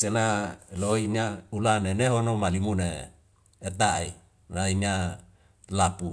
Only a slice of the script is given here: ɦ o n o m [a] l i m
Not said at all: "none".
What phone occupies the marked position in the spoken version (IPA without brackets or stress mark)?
a